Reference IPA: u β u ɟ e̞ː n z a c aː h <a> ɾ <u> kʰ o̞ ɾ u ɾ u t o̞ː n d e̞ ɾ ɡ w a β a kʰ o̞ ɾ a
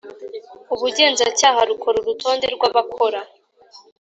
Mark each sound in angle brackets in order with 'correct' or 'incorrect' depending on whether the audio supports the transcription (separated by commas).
correct, correct